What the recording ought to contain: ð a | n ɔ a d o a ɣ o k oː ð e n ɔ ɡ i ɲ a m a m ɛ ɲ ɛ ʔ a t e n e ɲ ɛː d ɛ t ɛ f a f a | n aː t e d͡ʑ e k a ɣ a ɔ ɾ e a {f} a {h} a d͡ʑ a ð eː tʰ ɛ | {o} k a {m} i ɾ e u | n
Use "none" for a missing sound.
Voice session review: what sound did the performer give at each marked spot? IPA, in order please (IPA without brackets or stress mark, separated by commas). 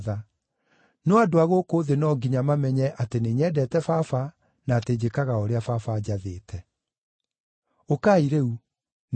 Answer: f, f, o, none